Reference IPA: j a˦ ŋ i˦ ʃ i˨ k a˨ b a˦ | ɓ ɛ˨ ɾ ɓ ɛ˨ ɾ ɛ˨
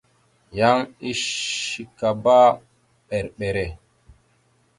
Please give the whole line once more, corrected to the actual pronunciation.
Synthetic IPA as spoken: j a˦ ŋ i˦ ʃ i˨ k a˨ b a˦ | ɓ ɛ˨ ɾ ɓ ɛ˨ ɾ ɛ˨